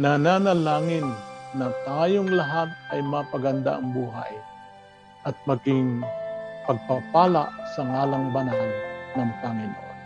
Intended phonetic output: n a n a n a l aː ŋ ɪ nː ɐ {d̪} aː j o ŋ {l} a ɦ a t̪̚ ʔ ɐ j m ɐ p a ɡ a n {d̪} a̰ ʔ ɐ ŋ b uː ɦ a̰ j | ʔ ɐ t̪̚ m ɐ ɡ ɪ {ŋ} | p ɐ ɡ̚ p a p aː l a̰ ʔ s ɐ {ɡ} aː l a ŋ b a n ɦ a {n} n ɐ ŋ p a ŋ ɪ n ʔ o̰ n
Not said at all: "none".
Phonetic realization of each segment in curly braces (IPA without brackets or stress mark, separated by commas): t̪, l, d̪, ŋ, ŋ, n